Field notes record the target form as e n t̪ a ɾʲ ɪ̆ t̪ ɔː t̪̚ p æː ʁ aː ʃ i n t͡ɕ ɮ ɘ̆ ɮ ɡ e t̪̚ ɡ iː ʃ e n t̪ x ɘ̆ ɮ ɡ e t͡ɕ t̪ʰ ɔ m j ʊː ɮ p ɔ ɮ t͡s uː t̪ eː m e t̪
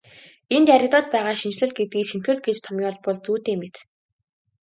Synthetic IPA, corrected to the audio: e n t̪ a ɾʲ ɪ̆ t̪ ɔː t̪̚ p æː ʁ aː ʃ i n t͡ɕ ɮ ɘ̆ ɮ ɡ e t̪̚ ɡ iː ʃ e n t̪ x ɘ̆ ɮ ɡ e t͡ɕ t̪ʰ ɔ m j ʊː ɮ p ɔ ɮ t͡s uː t̪ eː m e t̪